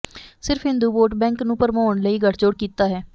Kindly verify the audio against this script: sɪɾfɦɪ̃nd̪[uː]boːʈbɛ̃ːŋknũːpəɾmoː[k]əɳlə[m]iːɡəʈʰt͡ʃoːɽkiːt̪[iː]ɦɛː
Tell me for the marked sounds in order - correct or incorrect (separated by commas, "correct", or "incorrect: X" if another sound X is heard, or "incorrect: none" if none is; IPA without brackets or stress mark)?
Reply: correct, incorrect: none, incorrect: none, incorrect: aː